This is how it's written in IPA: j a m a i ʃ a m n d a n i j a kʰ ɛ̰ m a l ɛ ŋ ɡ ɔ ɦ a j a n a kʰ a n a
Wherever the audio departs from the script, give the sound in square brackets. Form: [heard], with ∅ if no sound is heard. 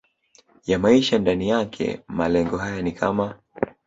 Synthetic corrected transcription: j a m a i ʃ a [∅] n d a n i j a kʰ ɛ̰ m a l ɛ ŋ ɡ ɔ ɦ a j a n [i] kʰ a [m] a